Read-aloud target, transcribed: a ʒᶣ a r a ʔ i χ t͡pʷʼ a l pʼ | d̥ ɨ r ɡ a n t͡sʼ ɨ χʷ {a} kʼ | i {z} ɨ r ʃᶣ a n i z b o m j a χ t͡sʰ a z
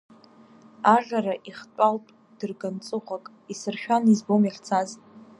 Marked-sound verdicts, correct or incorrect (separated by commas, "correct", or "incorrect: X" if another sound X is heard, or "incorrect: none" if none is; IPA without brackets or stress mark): correct, incorrect: s